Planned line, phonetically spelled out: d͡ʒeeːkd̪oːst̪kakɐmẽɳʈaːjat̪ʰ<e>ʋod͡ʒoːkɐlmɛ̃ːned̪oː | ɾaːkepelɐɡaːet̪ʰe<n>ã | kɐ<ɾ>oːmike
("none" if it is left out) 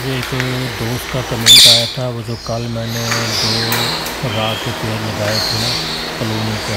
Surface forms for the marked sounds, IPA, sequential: a, n, l

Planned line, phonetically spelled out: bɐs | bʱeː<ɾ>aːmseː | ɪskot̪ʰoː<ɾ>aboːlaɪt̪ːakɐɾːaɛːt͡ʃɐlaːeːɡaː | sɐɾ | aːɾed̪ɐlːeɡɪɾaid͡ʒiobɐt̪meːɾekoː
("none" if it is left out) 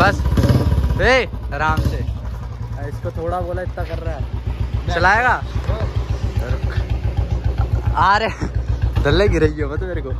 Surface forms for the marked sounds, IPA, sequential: ɾ, ɽ

